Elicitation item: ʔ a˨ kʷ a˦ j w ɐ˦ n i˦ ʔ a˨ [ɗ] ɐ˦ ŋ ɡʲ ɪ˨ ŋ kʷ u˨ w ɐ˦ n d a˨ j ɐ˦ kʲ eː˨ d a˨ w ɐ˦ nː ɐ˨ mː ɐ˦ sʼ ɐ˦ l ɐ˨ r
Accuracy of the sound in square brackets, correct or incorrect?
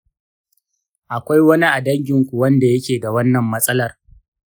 incorrect: d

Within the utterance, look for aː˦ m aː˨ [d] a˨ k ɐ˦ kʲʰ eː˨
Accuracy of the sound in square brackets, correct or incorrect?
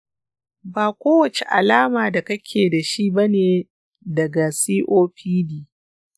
correct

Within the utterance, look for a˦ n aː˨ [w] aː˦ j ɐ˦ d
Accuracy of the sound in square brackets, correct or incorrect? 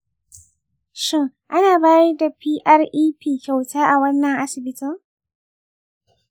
incorrect: b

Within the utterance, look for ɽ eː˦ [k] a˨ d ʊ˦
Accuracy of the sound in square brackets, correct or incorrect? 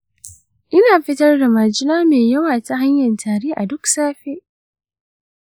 incorrect: ʔ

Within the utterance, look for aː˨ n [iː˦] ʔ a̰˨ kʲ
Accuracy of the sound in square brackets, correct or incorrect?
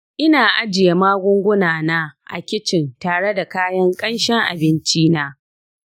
incorrect: aː˦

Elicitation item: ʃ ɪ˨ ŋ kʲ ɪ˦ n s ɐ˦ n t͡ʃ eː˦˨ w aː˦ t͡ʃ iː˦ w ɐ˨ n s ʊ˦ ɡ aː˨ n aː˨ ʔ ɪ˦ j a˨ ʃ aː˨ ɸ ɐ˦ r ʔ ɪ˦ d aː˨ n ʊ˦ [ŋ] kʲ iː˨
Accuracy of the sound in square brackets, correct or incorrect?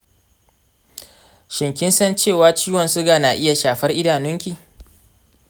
correct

